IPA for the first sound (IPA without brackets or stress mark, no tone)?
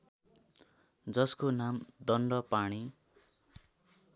d͡z